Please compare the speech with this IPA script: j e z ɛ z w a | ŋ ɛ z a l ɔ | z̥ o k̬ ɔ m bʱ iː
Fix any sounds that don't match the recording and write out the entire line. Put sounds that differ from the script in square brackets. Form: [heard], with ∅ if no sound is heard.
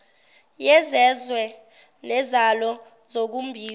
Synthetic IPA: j [ɛ] z ɛ z w [ɛ] | [n] ɛ z a l ɔ | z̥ o k̬ [u] m bʱ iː